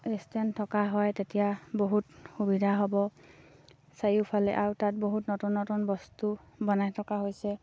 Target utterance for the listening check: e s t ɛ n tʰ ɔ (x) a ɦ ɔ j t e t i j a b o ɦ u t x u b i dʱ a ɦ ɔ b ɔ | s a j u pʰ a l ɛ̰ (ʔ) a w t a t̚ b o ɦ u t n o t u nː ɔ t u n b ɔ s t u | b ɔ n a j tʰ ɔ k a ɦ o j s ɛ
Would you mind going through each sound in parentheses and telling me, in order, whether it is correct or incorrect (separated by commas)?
incorrect, correct